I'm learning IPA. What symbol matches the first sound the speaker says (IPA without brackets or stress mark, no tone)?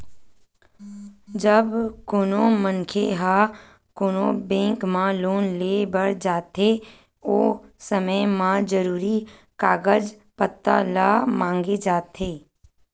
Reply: d͡ʒ